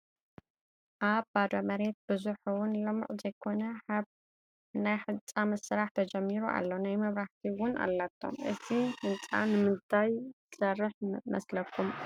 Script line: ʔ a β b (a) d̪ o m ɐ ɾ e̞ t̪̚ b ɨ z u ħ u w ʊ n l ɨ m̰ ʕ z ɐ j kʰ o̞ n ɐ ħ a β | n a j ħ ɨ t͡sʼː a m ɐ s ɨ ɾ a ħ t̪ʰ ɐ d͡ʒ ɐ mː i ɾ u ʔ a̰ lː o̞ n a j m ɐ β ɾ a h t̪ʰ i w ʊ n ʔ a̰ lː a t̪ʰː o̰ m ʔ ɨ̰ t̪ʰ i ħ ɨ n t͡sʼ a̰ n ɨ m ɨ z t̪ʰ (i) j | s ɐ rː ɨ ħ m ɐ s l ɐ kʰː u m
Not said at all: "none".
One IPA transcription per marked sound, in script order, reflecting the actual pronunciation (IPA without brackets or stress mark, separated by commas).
a, a